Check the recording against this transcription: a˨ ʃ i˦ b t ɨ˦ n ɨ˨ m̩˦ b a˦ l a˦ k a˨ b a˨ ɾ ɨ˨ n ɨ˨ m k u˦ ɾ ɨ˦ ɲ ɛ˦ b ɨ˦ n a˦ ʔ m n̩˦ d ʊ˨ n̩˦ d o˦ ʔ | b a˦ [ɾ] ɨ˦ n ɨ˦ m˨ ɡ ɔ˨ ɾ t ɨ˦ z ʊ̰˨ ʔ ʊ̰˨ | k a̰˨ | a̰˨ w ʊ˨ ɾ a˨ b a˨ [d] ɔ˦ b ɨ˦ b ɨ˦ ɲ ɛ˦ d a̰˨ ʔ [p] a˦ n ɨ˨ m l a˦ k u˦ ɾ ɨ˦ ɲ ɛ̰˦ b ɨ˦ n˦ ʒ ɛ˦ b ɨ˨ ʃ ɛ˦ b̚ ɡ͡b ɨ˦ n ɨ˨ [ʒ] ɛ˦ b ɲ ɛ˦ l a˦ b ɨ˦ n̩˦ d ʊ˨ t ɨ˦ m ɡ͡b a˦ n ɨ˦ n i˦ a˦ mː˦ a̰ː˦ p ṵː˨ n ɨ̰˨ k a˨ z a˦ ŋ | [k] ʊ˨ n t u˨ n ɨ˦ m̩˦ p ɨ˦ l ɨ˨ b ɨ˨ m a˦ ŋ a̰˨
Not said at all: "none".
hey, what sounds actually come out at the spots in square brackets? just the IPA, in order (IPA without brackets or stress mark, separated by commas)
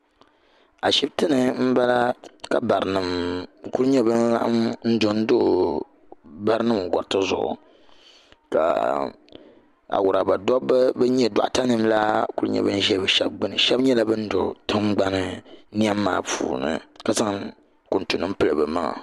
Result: ɾ, d, t, ʃ, k